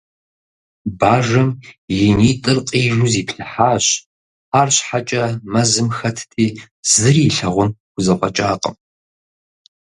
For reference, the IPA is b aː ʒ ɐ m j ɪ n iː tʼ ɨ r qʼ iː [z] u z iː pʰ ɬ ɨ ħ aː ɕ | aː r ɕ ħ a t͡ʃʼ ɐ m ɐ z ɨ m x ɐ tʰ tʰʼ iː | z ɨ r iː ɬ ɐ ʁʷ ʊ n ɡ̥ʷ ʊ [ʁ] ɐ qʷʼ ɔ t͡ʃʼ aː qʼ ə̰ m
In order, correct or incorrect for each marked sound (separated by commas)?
incorrect, incorrect